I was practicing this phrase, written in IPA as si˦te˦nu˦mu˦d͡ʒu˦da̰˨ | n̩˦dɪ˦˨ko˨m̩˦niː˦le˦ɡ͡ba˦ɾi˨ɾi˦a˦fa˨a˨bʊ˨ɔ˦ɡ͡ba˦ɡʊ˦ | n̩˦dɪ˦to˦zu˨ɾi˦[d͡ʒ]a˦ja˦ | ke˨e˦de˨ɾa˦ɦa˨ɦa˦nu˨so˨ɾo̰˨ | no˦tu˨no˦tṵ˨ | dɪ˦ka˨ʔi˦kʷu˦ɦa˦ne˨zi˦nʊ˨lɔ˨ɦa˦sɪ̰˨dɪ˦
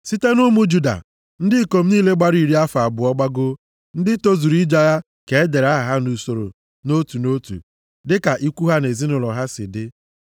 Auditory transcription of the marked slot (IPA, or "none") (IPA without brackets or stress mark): d͡ʒ